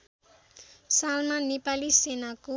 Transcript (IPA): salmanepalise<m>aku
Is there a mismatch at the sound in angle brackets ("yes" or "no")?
yes